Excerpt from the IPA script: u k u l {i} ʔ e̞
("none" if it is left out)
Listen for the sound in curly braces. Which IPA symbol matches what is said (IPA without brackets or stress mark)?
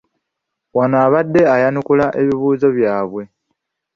a